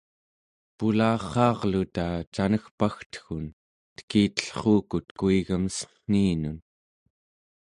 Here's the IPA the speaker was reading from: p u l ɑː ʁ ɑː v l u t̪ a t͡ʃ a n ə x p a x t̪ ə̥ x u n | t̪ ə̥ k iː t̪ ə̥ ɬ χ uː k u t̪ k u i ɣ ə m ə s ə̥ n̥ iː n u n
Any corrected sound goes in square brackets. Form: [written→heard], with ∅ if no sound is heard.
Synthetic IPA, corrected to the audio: p u l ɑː [ʁ→χ] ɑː [v→ʁ] l u t̪ a t͡ʃ a n ə x p a x t̪ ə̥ x u n | t̪ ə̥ k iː t̪ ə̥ ɬ χ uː k u t̪ k u i ɣ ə m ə s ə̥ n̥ iː n u n